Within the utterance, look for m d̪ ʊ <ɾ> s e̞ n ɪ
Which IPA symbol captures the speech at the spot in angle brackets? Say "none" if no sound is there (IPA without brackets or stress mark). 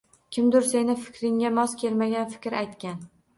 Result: ɾ